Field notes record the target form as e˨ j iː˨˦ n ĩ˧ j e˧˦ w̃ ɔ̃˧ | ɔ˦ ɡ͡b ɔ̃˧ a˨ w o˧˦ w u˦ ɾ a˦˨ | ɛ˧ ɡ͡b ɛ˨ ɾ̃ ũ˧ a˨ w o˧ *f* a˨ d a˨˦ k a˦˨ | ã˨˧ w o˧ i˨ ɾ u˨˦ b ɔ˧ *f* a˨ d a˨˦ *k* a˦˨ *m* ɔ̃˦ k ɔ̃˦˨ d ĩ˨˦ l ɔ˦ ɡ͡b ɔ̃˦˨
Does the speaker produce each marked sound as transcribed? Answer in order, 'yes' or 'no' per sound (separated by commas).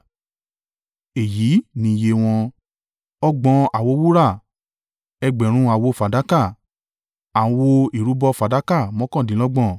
yes, yes, yes, yes